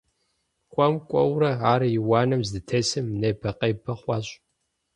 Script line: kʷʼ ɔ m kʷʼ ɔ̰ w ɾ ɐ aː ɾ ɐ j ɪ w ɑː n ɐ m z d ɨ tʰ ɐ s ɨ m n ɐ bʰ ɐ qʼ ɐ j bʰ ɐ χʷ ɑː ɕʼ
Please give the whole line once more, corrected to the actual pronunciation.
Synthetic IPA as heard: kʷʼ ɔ m kʷʼ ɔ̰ w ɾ ɐ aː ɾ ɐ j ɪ w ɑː n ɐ m z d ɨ tʰ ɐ s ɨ m n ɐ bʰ ɐ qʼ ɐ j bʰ ɐ χʷ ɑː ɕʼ